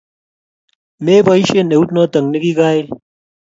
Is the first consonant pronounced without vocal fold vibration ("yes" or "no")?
no